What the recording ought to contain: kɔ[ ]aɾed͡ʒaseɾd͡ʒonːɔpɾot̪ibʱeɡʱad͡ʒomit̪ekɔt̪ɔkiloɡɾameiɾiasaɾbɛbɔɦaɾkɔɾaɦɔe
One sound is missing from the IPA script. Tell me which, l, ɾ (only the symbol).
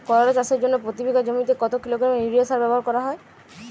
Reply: ɾ